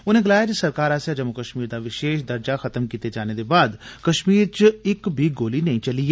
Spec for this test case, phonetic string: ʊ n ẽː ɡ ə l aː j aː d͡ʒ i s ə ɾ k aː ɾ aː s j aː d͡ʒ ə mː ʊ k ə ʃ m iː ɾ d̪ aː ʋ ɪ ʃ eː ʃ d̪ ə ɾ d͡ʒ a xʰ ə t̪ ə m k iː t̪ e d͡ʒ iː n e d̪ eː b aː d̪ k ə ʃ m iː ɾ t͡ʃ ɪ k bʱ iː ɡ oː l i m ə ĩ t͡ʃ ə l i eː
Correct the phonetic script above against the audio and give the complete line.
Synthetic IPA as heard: ʊ n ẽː ɡ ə l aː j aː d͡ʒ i s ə ɾ k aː ɾ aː s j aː d͡ʒ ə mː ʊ k ə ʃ m iː ɾ d̪ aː ʋ ɪ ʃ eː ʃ d̪ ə ɾ d͡ʒ a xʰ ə t̪ ə m k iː t̪ e d͡ʒ aː n e d̪ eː b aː d̪ k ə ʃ m iː ɾ t͡ʃ ɪ k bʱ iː ɡ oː l i n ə ĩ t͡ʃ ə l i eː